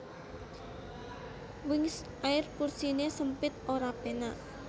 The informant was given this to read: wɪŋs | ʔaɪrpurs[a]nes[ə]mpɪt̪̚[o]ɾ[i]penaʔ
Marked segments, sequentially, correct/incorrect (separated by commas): incorrect, correct, correct, incorrect